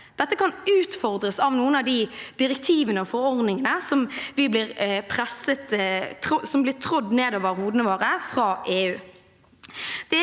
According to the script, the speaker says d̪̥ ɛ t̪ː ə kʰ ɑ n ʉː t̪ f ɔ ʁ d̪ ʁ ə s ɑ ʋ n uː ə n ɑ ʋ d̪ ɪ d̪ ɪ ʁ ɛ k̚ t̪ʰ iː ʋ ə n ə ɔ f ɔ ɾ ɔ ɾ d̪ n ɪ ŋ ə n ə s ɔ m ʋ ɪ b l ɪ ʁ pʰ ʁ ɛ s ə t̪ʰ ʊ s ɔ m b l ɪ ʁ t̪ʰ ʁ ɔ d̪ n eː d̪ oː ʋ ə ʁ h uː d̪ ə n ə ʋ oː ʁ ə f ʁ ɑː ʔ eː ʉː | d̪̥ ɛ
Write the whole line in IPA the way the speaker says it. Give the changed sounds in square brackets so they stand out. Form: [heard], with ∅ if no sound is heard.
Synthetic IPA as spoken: d̪̥ ɛ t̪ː ə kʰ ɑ n ʉː t̪ f ɔ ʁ d̪ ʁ ə s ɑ ʋ n uː ə n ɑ ʋ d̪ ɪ d̪ ɪ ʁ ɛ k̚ t̪ʰ iː ʋ ə n ə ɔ f ɔ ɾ ɔ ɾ d̪ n ɪ ŋ ə n ə s ɔ m ʋ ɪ b l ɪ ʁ pʰ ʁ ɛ s ə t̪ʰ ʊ s ɔ m b l ɪ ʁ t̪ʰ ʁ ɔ d̪ n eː d̪ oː ʋ ə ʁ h uː d̪ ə n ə ʋ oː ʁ ə f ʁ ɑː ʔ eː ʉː | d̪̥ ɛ

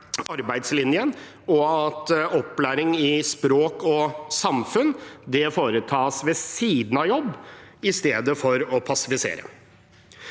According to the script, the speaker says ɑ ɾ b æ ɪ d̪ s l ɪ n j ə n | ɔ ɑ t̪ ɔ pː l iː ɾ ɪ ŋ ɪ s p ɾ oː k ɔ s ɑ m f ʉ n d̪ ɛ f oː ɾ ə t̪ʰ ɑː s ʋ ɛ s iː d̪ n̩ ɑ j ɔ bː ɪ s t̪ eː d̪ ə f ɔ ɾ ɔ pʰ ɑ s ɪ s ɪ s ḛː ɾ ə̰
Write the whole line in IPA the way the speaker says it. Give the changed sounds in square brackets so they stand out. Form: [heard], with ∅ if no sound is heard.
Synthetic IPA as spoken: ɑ ɾ b æ ɪ d̪ s l ɪ n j ə n | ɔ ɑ t̪ ɔ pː l [æː] ɾ ɪ ŋ ɪ s p ɾ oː k ɔ s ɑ m f ʉ n d̪ ɛ f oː ɾ ə t̪ʰ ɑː s ʋ ɛ s iː d̪ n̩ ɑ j ɔ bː ɪ s t̪ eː d̪ ə f ɔ ɾ ɔ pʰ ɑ s ɪ [f] ɪ s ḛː ɾ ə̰

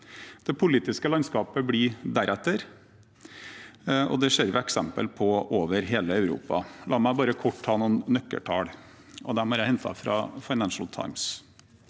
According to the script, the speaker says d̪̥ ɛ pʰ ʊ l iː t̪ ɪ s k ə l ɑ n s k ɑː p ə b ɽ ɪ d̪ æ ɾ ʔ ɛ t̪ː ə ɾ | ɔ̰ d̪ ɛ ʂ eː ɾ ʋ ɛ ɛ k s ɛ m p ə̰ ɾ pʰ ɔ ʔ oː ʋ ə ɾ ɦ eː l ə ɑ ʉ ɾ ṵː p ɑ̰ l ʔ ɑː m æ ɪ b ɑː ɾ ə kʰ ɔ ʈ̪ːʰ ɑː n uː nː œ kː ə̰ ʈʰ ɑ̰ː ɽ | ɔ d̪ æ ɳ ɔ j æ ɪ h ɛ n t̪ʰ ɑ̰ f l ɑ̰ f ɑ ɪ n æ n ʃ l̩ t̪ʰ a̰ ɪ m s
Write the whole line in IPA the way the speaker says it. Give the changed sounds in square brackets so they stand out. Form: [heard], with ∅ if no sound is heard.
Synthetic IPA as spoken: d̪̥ ɛ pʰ ʊ l iː t̪ ɪ s k ə l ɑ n s k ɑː p ə b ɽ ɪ d̪ æ ɾ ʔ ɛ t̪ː ə ɾ | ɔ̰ d̪ ɛ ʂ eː ɾ ʋ ɛ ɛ k s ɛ m p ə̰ [l] pʰ ɔ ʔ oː ʋ ə ɾ ɦ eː l ə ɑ ʉ ɾ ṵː p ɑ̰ l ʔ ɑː m æ ɪ b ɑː ɾ ə kʰ ɔ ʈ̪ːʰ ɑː n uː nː œ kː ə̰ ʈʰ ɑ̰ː ɽ | ɔ d̪ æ [m] ɔ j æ ɪ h ɛ n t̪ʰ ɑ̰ f [ɾ] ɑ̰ f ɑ ɪ n æ n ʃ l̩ t̪ʰ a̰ ɪ m s

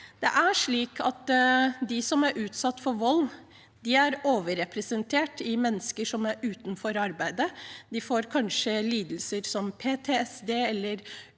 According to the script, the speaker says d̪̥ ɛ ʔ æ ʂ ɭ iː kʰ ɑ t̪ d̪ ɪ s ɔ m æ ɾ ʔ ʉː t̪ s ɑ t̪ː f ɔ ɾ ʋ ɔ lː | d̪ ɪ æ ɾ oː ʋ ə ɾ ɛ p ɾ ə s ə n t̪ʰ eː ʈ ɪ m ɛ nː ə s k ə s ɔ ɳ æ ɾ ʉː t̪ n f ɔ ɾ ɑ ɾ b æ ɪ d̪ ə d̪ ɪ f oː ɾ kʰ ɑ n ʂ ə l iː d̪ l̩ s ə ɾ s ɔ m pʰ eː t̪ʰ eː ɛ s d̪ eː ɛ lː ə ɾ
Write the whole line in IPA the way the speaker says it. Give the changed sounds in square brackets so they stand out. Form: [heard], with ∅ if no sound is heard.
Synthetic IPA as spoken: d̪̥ ɛ ʔ æ ʂ ɭ iː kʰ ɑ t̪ d̪ ɪ s ɔ m æ ɾ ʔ ʉː t̪ s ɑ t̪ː f ɔ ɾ ʋ ɔ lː | d̪ ɪ æ ɾ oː ʋ ə ɾ ɛ p ɾ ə s ə n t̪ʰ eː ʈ ɪ m ɛ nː ə s k ə [ʂ] ɔ [m] æ ɾ ʉː t̪ n f ɔ ɾ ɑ ɾ b æ ɪ d̪ ə d̪ ɪ f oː ɾ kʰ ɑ n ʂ ə l iː d̪ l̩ s ə ɾ s ɔ m pʰ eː t̪ʰ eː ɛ s d̪ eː ɛ lː ə ɾ

